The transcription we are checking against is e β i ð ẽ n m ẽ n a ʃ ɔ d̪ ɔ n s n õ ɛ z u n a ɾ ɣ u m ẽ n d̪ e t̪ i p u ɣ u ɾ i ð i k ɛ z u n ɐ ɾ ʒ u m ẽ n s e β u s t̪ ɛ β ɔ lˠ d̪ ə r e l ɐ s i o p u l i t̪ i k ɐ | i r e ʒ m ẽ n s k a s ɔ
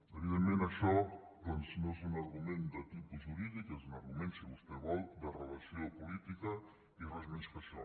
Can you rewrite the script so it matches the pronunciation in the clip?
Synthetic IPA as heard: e β i ð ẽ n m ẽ n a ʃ ɔ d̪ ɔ n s n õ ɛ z u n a ɾ ɣ u m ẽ n d̪ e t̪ i p u ʒ u ɾ i ð i k ɛ z u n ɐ ɾ ɣ u m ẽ n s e β u s t̪ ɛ β ɔ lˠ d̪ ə r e l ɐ s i o p u l i t̪ i k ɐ | i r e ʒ m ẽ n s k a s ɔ